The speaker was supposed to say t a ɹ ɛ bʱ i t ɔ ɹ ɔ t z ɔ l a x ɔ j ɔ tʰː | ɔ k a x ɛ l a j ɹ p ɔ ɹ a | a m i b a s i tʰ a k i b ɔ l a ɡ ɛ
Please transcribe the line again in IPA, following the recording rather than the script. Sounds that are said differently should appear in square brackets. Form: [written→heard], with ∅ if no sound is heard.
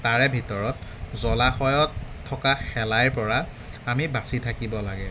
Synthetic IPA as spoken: t a ɹ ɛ bʱ i t ɔ ɹ ɔ t z ɔ l a x ɔ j ɔ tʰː | ɔ k a x ɛ l a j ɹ p ɔ ɹ a | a m i b a s i tʰ a k i b ɔ l a ɡ ɛ